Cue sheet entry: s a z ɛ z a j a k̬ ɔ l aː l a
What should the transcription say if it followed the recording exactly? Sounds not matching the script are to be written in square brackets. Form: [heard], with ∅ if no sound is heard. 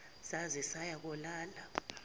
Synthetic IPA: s a z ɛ [s] a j a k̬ ɔ l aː l a

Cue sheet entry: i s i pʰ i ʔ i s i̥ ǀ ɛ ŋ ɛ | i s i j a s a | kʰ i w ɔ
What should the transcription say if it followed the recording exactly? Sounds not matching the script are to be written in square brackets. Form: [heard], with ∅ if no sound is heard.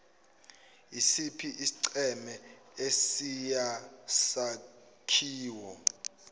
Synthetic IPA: i s i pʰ i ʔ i s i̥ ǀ ɛ [m] ɛ | [e] s i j a s a | kʰ [iː] w ɔ

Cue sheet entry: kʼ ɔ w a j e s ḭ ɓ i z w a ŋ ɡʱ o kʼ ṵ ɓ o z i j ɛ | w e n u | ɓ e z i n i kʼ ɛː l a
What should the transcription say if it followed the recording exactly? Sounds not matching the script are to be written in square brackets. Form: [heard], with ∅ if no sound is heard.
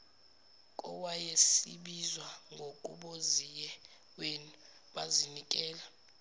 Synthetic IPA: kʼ ɔ w a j e s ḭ ɓ i z w a ŋ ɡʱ o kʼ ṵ ɓ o z i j ɛ | w e n u | ɓ [a] z i n i kʼ ɛː l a

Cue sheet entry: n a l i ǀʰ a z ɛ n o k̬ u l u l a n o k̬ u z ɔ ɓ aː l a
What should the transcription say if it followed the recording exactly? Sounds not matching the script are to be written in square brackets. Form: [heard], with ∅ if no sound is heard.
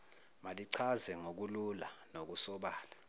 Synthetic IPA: [m] a l i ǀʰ a z ɛ [ŋ] o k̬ u l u l a n o k̬ u [s] ɔ ɓ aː l a

